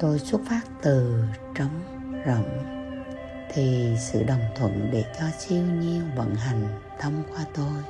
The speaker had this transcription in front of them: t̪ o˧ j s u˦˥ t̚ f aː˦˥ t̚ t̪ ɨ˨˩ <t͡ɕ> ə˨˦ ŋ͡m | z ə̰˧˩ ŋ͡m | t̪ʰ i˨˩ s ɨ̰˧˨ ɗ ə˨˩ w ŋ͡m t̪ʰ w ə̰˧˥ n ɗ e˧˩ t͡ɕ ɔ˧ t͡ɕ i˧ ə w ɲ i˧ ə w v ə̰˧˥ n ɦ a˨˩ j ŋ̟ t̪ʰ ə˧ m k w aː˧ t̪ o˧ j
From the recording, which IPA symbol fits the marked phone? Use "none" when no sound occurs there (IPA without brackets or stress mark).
t͡ɕ